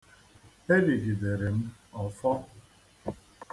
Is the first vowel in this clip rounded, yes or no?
no